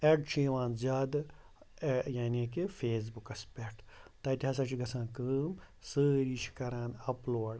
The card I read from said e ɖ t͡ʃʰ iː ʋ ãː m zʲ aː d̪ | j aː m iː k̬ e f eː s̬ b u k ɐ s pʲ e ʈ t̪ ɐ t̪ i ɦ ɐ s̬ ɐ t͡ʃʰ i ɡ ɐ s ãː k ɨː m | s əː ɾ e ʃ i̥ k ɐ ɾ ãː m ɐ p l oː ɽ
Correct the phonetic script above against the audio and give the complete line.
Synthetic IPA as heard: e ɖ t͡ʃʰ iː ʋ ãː n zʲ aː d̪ | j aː n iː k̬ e f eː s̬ b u k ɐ s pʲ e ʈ t̪ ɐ t̪ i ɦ ɐ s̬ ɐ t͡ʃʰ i ɡ ɐ s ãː k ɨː m | s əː ɾ i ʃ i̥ k ɐ ɾ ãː n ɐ p l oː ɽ